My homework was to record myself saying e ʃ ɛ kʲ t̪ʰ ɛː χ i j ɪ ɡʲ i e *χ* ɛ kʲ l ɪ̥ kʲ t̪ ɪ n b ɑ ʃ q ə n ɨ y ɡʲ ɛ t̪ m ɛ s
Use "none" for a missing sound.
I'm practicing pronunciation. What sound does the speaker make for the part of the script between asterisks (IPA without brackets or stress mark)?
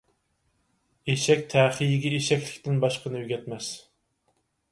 ʃ